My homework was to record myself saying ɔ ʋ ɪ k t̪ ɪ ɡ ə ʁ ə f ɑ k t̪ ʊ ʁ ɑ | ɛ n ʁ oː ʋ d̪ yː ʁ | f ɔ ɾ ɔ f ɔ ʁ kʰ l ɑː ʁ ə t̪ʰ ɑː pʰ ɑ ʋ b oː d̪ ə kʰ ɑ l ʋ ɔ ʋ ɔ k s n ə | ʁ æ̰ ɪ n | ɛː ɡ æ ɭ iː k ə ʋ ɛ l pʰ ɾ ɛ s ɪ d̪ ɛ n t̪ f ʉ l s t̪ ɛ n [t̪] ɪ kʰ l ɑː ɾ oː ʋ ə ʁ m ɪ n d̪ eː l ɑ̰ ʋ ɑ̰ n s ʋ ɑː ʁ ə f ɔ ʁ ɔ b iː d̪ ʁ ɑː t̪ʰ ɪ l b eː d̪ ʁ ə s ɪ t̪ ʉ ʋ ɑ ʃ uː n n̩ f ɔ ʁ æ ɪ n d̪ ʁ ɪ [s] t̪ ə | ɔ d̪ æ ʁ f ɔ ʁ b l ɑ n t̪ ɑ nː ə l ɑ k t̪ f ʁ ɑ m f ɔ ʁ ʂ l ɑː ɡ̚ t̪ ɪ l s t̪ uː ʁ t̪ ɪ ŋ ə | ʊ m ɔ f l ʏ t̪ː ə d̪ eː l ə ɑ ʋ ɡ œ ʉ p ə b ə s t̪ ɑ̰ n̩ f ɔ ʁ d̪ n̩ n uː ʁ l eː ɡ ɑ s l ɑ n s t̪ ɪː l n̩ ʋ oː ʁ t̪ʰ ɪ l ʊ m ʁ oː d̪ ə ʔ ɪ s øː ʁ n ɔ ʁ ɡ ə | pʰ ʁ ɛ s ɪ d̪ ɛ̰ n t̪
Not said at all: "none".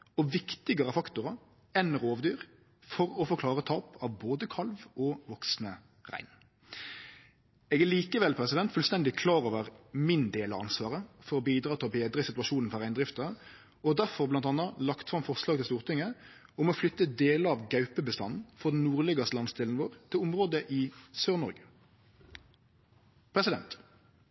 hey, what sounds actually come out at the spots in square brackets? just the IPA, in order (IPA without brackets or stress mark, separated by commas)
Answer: d̪, f